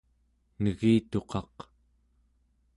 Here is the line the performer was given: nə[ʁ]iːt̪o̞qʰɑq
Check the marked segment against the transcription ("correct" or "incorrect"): incorrect